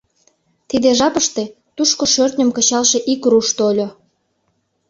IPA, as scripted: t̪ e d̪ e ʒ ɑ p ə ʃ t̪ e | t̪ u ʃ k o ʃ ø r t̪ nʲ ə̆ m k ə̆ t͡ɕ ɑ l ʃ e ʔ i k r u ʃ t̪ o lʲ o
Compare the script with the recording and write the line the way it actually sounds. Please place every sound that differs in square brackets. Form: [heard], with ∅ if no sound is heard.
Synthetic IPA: t̪ [i] d̪ e ʒ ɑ p ə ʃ t̪ e | t̪ u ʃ k o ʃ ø r t̪ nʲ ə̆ m k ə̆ t͡ɕ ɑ l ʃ e ʔ i k r u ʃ t̪ o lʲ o